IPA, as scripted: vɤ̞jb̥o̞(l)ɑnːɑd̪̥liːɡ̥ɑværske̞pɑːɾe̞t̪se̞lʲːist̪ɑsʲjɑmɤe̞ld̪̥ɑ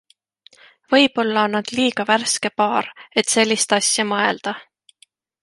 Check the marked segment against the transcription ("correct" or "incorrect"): incorrect